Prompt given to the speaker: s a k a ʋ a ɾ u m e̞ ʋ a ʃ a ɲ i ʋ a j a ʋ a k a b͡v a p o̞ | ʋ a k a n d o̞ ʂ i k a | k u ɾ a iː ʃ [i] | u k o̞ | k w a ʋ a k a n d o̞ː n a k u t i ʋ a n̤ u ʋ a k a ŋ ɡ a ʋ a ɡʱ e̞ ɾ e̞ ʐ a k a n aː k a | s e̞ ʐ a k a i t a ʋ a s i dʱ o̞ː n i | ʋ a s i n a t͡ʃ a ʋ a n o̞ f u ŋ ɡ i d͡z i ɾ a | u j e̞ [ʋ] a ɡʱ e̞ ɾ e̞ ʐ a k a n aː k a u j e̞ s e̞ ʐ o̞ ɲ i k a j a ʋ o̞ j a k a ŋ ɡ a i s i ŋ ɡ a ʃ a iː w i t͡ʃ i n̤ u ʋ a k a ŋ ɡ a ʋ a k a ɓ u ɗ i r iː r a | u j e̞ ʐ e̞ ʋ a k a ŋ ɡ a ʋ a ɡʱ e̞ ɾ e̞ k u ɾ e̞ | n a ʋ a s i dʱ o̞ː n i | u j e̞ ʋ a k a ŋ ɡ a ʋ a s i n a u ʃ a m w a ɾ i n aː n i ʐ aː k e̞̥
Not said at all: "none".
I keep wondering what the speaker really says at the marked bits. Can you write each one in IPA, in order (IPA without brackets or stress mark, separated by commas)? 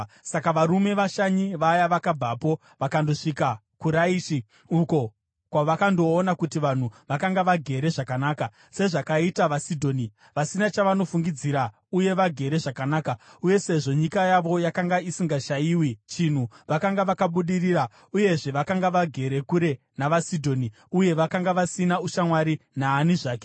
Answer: i, ʋ